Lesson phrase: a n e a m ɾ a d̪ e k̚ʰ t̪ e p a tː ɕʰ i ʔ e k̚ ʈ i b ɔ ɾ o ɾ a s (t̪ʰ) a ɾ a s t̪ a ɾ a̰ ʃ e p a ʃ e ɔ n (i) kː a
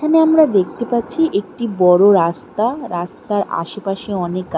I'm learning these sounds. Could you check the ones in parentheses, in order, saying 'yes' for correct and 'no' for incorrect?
no, no

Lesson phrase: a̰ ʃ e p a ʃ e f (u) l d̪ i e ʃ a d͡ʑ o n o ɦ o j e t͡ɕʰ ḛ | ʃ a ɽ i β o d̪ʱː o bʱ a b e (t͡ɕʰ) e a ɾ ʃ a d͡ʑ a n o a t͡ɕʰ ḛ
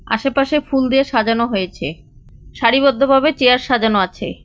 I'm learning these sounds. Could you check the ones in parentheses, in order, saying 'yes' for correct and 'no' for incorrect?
yes, no

